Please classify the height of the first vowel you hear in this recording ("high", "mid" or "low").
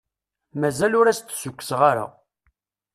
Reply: low